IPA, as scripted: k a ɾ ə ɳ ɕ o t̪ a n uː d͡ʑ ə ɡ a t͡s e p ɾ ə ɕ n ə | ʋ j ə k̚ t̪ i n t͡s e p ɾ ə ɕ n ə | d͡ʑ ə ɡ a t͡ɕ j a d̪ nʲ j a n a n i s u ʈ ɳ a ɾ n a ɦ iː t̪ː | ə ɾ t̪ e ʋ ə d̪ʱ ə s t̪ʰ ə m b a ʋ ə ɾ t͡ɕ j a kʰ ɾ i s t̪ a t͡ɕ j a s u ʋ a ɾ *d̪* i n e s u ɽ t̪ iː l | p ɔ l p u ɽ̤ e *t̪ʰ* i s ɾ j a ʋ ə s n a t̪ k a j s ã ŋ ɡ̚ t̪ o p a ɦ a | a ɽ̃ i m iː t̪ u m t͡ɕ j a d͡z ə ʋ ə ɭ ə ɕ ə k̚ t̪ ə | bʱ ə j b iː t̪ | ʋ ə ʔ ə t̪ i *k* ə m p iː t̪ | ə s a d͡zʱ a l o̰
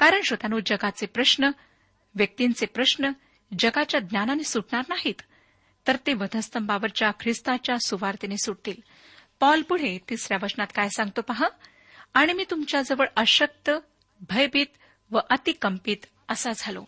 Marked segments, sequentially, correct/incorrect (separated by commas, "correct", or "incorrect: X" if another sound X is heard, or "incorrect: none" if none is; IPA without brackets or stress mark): incorrect: t̪, incorrect: t̪, correct